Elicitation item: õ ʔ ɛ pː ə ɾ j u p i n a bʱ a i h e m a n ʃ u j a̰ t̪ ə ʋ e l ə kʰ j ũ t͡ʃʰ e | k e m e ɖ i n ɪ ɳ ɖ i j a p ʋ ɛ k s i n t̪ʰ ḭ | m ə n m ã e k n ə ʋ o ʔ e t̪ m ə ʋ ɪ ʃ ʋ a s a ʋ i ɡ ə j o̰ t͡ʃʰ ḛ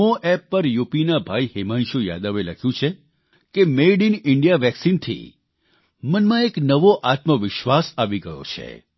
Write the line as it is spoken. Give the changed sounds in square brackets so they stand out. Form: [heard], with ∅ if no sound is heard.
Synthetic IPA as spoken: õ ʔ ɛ pː ə ɾ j u p i n a bʱ a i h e m a n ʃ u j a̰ [d̪] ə ʋ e l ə kʰ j ũ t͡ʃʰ e | k e m e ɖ i n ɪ ɳ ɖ i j a [∅] ʋ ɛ k s i n t̪ʰ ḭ | m ə n m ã e k n ə ʋ o ʔ [a] t̪ m ə ʋ ɪ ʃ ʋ a s a ʋ i ɡ ə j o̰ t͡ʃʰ ḛ